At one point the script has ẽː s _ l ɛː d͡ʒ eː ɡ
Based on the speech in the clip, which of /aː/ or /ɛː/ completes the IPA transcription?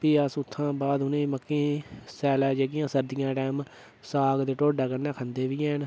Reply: ɛː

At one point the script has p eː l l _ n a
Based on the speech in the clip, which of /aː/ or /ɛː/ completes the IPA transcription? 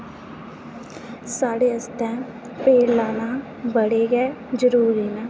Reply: aː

